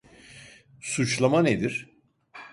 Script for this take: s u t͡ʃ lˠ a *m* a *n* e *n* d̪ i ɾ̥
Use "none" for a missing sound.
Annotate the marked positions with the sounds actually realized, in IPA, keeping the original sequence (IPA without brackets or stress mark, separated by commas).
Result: m, n, none